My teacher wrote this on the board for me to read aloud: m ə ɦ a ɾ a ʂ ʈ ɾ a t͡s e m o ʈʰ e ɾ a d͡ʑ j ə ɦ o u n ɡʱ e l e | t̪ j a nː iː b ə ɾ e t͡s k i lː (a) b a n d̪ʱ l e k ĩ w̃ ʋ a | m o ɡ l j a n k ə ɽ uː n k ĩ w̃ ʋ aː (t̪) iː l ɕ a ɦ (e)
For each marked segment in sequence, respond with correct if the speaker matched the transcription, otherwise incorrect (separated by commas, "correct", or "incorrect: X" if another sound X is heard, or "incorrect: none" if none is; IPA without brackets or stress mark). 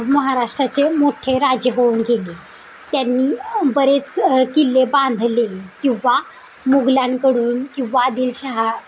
incorrect: e, incorrect: d̪, incorrect: a